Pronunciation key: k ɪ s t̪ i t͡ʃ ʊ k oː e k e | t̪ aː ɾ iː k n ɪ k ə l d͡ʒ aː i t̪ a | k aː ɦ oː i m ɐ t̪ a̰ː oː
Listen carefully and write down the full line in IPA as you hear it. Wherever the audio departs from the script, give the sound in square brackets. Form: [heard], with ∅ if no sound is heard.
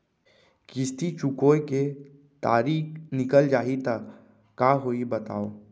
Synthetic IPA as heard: k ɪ s t̪ i t͡ʃ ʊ k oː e k e | t̪ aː ɾ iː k n ɪ k ə l d͡ʒ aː i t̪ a | k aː ɦ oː i [b] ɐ t̪ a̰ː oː